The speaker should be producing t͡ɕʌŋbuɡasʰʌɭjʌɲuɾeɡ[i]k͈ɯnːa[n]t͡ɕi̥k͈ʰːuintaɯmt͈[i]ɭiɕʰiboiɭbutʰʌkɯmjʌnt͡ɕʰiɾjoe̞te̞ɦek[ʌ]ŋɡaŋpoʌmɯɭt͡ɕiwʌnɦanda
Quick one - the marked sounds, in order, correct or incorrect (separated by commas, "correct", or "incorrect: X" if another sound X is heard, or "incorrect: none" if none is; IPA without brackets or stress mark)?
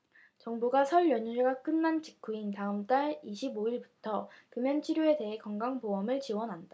incorrect: a, correct, incorrect: a, correct